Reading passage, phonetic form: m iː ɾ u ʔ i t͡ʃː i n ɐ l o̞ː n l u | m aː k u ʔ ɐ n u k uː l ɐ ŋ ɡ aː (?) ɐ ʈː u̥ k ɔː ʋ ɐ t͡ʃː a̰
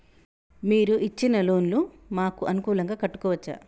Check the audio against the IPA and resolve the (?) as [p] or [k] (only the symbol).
k